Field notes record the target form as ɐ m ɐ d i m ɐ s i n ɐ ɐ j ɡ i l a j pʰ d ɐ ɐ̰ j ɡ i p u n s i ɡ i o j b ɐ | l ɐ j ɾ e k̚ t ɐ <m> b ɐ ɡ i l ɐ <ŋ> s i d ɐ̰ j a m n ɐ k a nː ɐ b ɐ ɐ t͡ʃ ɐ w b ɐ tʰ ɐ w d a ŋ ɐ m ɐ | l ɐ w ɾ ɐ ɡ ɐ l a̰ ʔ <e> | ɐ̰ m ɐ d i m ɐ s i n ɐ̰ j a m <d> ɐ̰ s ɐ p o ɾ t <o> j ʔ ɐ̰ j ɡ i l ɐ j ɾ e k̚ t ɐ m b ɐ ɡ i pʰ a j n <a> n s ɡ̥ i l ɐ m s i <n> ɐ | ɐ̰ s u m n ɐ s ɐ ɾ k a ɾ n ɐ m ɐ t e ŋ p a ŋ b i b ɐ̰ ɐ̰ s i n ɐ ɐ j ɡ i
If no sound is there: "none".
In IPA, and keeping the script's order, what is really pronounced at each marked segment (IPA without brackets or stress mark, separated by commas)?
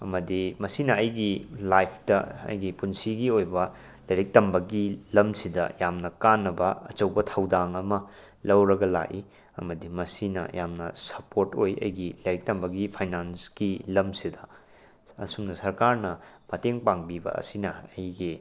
m, m, i, n, o, a, d